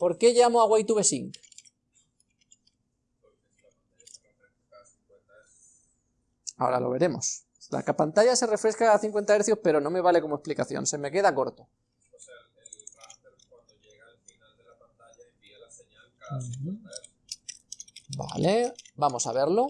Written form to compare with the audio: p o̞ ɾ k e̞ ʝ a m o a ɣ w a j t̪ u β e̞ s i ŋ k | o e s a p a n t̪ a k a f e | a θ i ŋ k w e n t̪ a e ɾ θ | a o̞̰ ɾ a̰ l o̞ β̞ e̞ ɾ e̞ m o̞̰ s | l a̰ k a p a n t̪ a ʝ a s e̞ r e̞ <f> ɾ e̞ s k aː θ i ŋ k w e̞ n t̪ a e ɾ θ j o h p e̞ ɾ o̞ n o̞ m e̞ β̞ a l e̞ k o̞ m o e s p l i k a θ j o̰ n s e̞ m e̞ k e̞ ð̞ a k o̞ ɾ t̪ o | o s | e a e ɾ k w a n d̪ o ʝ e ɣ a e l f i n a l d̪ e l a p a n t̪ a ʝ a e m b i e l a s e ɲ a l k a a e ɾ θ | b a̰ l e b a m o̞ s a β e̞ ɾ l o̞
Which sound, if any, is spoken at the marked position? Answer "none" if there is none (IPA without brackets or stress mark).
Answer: f